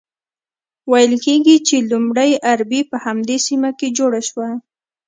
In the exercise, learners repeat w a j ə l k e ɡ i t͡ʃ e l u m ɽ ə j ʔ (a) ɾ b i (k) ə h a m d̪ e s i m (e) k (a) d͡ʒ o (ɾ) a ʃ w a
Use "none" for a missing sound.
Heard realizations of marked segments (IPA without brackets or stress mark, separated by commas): a, p, a, e, ɽ